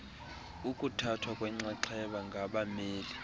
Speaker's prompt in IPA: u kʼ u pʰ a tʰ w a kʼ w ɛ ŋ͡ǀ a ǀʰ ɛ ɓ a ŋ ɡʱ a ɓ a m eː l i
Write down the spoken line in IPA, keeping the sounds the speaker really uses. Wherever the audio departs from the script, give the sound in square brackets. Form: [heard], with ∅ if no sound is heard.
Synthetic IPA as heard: u kʼ u [tʰ] a tʰ w a kʼ w ɛ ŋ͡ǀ a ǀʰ ɛ ɓ a ŋ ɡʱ a ɓ a m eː l i